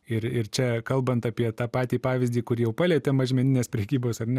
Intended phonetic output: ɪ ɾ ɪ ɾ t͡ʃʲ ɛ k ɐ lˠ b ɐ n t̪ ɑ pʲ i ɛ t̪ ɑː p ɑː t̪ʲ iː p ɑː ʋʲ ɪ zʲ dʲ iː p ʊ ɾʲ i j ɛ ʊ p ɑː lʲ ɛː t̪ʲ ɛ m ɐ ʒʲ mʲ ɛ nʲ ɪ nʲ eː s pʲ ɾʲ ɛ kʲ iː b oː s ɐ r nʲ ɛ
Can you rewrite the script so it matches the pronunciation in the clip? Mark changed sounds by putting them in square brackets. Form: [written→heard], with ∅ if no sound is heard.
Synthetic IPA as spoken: ɪ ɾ ɪ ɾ t͡ʃʲ ɛ k ɐ lˠ b ɐ n t̪ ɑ pʲ i ɛ t̪ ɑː p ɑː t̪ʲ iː p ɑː ʋʲ ɪ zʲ dʲ iː [p→k] ʊ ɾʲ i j ɛ ʊ p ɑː lʲ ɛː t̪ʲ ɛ m ɐ ʒʲ mʲ ɛ nʲ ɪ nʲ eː s pʲ ɾʲ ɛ kʲ iː b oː s ɐ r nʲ ɛ